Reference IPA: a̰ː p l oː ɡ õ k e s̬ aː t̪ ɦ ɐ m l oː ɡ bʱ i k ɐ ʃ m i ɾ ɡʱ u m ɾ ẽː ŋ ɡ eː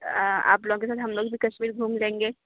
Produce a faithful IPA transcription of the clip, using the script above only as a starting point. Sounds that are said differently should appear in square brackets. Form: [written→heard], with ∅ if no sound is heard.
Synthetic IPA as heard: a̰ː p l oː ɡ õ k e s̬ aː t̪ ɦ ɐ m l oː ɡ bʱ i k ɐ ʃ m [i→iː] ɾ ɡʱ [u→uː] m [ɾ→l] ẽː ŋ ɡ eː